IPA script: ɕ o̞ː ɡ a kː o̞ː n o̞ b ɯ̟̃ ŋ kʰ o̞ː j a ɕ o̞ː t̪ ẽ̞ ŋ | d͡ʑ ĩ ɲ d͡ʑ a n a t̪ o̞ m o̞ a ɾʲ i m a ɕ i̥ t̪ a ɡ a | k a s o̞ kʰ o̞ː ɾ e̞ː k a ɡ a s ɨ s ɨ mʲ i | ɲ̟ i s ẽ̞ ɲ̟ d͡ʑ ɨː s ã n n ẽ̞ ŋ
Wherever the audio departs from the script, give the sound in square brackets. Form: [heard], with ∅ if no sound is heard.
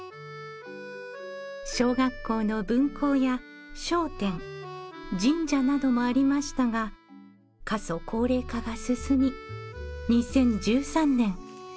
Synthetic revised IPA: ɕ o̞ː ɡ a kː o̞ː n o̞ b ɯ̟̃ ŋ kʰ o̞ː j a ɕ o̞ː t̪ ẽ̞ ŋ | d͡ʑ ĩ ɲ d͡ʑ a n a [d̪] o̞ m o̞ a ɾʲ i m a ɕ i̥ t̪ a ɡ a | k a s o̞ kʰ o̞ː ɾ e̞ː k a ɡ a s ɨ s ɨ mʲ i | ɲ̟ i s ẽ̞ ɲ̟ d͡ʑ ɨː s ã n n ẽ̞ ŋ